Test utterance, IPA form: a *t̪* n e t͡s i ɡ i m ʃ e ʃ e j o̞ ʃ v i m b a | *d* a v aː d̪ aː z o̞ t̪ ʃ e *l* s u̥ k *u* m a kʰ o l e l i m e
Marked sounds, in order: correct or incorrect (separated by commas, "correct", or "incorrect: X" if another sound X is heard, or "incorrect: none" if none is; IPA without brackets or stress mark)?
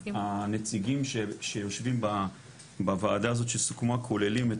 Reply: incorrect: none, incorrect: b, correct, correct